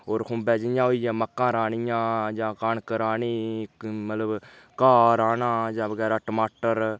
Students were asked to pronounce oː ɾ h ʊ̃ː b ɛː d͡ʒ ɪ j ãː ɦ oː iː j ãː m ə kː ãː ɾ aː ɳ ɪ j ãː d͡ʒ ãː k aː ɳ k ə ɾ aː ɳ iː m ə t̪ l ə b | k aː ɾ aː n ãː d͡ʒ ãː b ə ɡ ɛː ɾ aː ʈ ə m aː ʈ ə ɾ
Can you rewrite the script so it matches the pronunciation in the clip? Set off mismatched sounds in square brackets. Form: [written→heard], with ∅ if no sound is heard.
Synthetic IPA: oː ɾ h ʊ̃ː b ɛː d͡ʒ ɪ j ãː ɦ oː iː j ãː m ə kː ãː ɾ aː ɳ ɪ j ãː d͡ʒ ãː k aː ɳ k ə ɾ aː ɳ iː m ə t̪ l ə b | k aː ɾ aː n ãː d͡ʒ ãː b ə ɡ ɛː ɾ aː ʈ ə m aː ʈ ə ɾ